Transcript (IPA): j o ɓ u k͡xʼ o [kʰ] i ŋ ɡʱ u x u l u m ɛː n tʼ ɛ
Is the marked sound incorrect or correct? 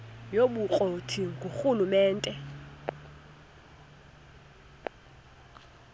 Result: incorrect